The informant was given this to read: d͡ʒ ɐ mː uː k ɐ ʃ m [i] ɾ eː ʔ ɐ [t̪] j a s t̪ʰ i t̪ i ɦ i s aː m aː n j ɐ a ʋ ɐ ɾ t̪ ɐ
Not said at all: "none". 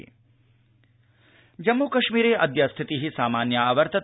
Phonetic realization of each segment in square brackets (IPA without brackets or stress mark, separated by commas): iː, d̪